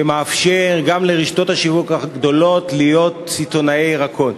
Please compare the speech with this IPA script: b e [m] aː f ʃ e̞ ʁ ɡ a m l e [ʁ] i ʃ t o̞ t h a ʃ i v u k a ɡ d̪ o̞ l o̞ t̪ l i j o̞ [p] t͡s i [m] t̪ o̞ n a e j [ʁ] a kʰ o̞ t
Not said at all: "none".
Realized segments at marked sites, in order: m, ʁ, t, none, ʁ

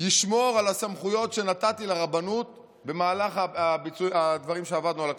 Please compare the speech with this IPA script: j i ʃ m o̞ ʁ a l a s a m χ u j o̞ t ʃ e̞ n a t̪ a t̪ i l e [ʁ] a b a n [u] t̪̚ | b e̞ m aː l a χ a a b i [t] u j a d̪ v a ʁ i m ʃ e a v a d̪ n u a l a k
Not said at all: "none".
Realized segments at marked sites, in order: ʁ, u, t͡s

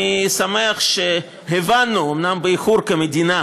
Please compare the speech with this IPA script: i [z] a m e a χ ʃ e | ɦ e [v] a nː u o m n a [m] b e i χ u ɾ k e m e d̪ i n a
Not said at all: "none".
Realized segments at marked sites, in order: s, v, m

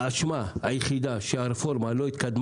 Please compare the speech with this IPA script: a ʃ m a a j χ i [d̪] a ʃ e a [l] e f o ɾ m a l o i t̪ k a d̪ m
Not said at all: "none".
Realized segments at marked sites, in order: d̪, ɾ

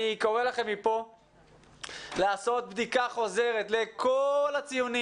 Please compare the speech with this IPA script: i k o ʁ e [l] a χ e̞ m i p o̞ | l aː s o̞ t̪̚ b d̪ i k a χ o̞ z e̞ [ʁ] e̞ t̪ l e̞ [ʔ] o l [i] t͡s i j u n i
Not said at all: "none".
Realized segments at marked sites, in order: l, ʁ, k, a

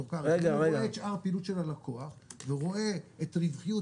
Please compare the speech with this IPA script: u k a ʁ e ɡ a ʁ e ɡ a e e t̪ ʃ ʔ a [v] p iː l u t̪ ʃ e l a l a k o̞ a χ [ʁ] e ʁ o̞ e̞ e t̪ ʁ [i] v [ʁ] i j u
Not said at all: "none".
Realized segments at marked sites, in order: ʁ, v, i, χ

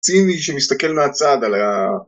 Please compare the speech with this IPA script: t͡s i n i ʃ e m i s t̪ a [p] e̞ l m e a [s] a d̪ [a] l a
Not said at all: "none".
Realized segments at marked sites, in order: k, t͡s, a

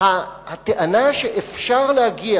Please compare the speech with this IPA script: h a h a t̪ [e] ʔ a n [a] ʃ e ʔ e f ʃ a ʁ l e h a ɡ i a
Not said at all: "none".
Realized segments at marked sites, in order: e, a

